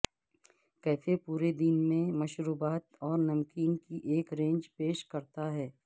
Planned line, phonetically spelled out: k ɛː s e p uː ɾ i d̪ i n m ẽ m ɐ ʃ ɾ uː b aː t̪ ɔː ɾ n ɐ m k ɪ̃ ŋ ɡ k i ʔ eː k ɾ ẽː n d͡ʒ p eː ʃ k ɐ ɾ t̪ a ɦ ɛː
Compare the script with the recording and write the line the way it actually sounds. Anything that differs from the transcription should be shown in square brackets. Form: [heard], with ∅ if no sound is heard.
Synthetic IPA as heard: k ɛː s e p uː ɾ [e] d̪ i n m ẽ m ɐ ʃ ɾ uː b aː t̪ ɔː ɾ n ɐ m k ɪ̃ ŋ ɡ k i ʔ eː k ɾ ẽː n d͡ʒ p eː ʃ k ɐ ɾ t̪ a ɦ ɛː